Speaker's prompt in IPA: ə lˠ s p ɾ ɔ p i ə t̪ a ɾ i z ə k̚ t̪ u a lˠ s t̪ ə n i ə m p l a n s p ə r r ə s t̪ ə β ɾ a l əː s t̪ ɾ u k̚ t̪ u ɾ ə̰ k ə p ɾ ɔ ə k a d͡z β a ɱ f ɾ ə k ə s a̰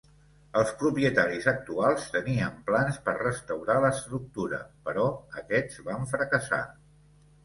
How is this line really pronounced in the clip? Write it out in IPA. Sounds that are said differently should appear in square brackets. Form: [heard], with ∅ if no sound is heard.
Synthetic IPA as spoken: ə lˠ s p ɾ [u] p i ə t̪ a ɾ i z ə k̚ t̪ u a lˠ s t̪ ə n i ə m p l a n s p ə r r ə s t̪ ə [w] ɾ a l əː s t̪ ɾ u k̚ t̪ u ɾ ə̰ [p] ə [∅] ɾ ɔ ə k [ɛ] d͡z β a ɱ f ɾ ə k ə s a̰

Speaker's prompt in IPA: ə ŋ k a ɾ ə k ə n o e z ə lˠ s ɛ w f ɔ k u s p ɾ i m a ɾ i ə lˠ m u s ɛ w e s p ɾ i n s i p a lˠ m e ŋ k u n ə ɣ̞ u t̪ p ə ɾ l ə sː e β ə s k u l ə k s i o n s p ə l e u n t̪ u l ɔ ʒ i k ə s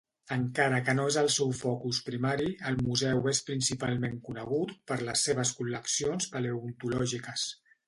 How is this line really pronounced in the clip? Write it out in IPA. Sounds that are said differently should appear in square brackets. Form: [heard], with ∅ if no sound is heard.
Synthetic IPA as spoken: ə ŋ k a ɾ ə k ə n o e z ə lˠ s ɛ w f ɔ k u s p ɾ i m a ɾ i ə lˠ m u [z] ɛ w e s p ɾ i n s i p a lˠ m e ŋ k u n ə ɣ̞ u t̪ p ə ɾ l ə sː e β ə s k u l ə k s i o n s p ə l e u n t̪ u l ɔ ʒ i k ə s

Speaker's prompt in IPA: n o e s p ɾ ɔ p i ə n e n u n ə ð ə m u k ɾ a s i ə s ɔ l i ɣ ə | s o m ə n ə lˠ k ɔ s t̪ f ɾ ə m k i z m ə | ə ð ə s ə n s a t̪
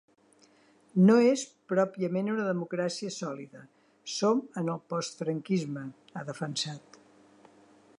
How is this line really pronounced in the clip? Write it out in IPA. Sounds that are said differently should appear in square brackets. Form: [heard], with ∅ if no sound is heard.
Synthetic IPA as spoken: n o e s p ɾ ɔ p i ə [m] e n u n ə ð ə m u k ɾ a s i ə s ɔ l i [ð] ə | s o m ə n ə lˠ [p] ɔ s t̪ f ɾ ə [ŋ] k i z m ə | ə ð ə [f] ə n s a t̪

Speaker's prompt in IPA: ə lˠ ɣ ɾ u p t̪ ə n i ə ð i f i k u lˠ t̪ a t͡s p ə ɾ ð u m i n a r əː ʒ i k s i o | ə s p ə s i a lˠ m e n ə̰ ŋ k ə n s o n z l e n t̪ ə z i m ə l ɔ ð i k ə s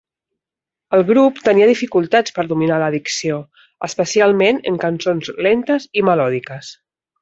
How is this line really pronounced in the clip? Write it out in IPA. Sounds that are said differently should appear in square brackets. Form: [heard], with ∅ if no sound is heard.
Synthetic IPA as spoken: ə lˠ ɣ ɾ u p t̪ ə n i ə ð i f i k u lˠ t̪ a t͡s p ə ɾ ð u m i n a [l] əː [ð] i k s i o | ə s p ə s i a lˠ m e n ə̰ ŋ k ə n s o n z l e n t̪ ə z i m ə l ɔ ð i k ə s

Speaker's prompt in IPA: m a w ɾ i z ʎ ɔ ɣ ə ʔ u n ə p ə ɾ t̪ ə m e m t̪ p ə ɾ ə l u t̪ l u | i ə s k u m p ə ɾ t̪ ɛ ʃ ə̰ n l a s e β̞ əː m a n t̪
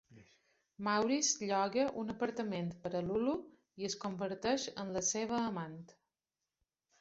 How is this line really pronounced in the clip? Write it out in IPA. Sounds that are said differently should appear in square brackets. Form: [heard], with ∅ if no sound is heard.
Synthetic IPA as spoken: m a w ɾ i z ʎ ɔ ɣ ə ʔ u n ə p ə ɾ t̪ ə m e [n] t̪ p ə ɾ ə l u [∅] l u | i ə s k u m [b] ə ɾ t̪ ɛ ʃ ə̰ n l [ə] s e β̞ əː m a n t̪

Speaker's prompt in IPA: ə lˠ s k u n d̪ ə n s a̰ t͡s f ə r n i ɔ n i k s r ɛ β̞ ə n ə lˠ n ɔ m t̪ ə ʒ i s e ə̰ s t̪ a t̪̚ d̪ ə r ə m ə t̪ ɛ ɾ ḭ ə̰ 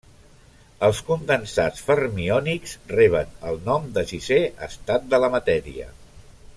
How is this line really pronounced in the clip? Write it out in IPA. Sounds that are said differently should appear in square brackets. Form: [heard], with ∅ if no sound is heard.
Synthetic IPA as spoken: ə lˠ s k u n d̪ ə n s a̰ t͡s f ə r [m] i ɔ n i k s r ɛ β̞ ə n ə lˠ n ɔ m [d̪] ə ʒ i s e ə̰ s t̪ a t̪̚ d̪ ə [l] ə m ə t̪ ɛ ɾ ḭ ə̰

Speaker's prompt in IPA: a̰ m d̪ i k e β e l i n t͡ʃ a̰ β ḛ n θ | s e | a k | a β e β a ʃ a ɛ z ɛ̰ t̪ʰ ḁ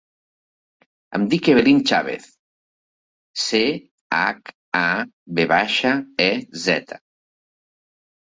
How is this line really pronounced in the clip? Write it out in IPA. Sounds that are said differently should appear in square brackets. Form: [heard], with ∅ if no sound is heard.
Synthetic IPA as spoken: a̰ m d̪ i k e β e l i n t͡ʃ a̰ β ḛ [∅] θ | s e | a k | a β e β a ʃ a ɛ z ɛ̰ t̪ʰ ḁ

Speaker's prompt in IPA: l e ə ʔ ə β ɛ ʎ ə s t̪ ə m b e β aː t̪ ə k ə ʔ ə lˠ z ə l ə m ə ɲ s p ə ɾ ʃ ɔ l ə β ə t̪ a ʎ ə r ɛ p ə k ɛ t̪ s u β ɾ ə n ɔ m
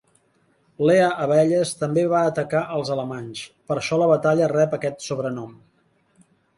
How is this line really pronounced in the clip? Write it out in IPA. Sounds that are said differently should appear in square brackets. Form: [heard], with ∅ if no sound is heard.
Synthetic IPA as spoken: l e ə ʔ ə β ɛ ʎ ə s t̪ ə m b e β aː t̪ ə k [a] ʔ ə lˠ z ə l ə m [a] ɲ s p ə ɾ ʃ ɔ l ə β ə t̪ a ʎ ə r ɛ p ə k ɛ t̪ s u β ɾ ə n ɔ m

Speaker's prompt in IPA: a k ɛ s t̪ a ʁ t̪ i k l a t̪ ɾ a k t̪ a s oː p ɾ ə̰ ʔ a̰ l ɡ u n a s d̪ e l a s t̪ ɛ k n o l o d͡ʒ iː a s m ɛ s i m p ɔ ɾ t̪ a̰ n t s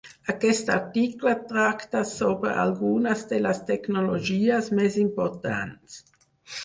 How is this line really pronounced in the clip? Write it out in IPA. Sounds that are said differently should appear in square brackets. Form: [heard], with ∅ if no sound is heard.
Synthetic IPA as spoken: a k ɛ s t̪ a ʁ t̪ i k l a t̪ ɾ a k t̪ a s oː [b] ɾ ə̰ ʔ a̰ l ɡ u n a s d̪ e l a s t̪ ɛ k n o l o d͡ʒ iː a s m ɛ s i m p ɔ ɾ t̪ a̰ n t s

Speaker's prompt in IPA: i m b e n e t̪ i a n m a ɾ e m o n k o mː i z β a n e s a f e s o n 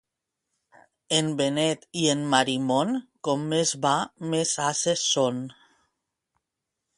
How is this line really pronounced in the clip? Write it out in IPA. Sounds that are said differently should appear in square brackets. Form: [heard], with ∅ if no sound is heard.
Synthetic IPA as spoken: [e] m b e n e t̪ i [e] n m a ɾ [i] m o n k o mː [e] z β a [m] e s a [s] e s o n

